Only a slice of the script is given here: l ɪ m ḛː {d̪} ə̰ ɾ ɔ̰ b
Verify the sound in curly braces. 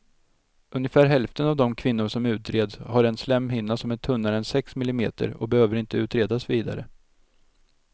incorrect: t̪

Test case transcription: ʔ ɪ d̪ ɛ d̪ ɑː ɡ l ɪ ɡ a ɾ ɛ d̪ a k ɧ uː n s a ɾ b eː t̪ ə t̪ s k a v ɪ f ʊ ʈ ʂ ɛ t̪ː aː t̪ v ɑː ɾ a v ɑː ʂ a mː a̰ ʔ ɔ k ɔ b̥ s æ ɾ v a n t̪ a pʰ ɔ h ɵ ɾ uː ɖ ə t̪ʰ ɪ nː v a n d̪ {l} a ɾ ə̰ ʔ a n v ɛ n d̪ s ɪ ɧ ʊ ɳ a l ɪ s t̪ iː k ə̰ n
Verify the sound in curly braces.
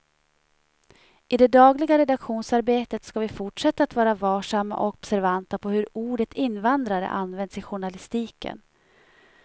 incorrect: ɾ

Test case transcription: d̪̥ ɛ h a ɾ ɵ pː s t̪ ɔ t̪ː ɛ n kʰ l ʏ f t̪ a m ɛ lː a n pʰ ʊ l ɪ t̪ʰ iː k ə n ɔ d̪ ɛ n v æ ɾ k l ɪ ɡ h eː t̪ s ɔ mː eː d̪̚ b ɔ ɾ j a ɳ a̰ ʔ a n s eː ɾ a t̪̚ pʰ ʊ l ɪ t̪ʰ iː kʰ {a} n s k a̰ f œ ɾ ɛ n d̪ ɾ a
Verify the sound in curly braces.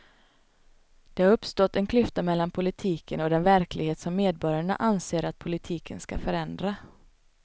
incorrect: ə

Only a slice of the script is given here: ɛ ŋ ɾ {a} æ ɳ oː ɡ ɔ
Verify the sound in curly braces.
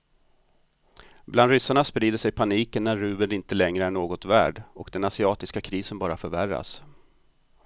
incorrect: ə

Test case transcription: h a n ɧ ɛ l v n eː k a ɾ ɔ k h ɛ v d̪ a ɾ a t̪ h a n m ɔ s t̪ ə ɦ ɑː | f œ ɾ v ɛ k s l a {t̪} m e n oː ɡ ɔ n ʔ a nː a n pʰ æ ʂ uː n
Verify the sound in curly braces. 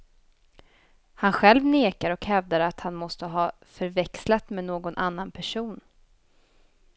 correct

